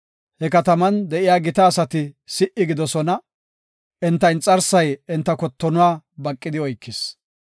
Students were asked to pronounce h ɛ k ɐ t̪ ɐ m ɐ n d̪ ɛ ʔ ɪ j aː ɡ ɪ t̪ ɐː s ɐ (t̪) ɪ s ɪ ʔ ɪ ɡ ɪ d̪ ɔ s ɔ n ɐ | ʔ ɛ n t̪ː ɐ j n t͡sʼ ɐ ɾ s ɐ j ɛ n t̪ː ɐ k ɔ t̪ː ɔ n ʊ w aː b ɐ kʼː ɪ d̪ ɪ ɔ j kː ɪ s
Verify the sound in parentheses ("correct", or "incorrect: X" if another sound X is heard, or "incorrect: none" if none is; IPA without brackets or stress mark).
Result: correct